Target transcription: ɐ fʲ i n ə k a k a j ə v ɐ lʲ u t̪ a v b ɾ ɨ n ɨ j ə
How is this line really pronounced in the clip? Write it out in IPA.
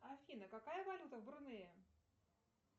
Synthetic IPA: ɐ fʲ i n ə k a k a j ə v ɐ lʲ u t̪ ə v b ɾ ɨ n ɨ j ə